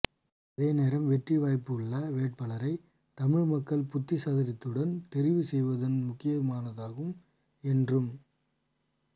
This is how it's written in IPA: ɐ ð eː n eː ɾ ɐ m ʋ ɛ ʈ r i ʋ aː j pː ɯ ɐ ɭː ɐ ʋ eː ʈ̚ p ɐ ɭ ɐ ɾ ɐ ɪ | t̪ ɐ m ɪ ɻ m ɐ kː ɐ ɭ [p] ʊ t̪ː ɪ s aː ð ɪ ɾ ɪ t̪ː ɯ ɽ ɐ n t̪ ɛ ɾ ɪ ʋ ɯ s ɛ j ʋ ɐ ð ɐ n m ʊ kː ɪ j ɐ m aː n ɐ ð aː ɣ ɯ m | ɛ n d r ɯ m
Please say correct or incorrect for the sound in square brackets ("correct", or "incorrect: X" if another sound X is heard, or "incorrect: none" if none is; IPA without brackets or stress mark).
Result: correct